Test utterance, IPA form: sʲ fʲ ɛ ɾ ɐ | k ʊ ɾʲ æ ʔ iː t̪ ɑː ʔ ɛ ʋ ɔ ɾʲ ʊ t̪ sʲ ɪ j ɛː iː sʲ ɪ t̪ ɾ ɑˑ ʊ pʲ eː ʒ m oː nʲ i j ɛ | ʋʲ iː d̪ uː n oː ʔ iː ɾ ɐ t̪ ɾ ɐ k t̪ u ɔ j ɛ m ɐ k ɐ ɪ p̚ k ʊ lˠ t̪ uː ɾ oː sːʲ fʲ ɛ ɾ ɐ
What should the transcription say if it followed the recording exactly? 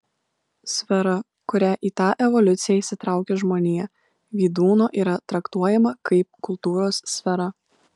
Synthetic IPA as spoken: sʲ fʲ ɛ ɾ ɐ | k ʊ ɾʲ æ ʔ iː t̪ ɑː ʔ ɛ ʋ ɔ lʲ ʊ t̪ sʲ ɪ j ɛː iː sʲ ɪ t̪ ɾ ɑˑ ʊ kʲ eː ʒ m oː nʲ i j ɛ | ʋʲ iː d̪ uː n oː ʔ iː ɾ ɐ t̪ ɾ ɐ k t̪ u ɔ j ɛ m ɐ k ɐ ɪ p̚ k ʊ lˠ t̪ uː ɾ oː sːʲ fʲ ɛ ɾ ɐ